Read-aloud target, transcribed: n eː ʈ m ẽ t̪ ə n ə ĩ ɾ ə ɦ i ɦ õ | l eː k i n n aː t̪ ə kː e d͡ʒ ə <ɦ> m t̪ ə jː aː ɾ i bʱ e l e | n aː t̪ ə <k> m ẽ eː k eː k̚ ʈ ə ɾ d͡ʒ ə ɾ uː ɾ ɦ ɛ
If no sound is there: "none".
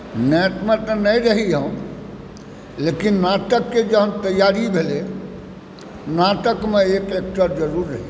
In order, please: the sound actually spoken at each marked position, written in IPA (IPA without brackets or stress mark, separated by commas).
ɦ, k